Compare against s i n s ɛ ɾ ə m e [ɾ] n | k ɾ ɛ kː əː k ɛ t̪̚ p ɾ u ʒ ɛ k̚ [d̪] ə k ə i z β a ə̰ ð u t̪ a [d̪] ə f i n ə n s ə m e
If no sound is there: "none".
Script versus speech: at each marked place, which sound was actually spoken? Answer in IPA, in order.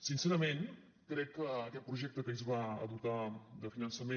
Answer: none, t̪, d̪

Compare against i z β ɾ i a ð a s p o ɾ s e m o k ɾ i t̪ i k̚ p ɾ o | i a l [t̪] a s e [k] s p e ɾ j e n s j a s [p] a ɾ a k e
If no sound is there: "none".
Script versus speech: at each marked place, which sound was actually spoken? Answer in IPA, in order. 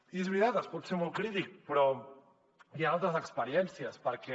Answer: t̪, k, p

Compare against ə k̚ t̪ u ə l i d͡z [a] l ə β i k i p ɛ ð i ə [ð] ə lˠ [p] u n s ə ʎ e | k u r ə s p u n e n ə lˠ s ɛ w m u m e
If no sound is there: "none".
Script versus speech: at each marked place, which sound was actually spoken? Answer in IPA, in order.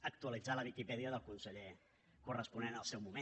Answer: a, ð, k

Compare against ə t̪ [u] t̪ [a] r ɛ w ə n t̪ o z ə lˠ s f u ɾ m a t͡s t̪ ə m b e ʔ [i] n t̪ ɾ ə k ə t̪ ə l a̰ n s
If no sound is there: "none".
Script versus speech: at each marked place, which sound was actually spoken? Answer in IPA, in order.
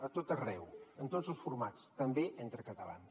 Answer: o, ə, e

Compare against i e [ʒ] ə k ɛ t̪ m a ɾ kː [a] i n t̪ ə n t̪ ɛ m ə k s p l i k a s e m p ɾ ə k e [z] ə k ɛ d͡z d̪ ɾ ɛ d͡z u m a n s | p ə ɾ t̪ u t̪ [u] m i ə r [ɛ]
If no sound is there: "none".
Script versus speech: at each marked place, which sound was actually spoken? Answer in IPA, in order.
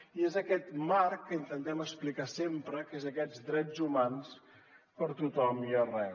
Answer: z, ə, z, ɔ, ɛ

